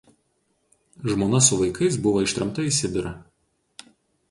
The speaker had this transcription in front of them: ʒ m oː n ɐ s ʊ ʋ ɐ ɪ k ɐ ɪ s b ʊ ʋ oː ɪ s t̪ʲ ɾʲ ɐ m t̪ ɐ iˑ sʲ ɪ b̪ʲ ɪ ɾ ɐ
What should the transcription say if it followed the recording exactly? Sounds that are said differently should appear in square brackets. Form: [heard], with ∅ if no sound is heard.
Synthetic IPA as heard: ʒ m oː n ɐ s ʊ ʋ ɐ ɪ k ɐ ɪ s b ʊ ʋ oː ɪ [ʃ] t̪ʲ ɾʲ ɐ m t̪ ɐ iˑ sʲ ɪ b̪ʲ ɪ ɾ ɐ